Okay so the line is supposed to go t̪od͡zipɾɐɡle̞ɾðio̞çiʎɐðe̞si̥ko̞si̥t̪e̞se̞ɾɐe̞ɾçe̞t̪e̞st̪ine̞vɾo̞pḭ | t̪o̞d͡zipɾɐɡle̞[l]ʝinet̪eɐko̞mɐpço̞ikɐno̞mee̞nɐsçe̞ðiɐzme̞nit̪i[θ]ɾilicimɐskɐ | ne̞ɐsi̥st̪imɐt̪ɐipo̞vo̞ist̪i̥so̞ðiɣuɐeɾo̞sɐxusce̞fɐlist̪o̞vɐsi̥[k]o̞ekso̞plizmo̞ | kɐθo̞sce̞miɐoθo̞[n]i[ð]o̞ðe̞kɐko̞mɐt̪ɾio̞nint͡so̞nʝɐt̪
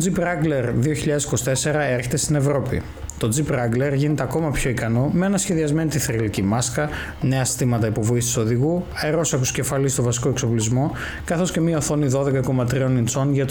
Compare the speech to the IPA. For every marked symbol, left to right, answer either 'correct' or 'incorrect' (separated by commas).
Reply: incorrect, correct, correct, correct, correct